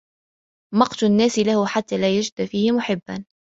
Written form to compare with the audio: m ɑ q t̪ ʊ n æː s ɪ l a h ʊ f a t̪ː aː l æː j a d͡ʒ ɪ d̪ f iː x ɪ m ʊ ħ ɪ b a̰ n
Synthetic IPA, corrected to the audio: m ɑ q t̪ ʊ nː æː s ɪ l a h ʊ ħ a t̪ː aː l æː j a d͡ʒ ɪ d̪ f iː h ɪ m ʊ ħ ɪ bː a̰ n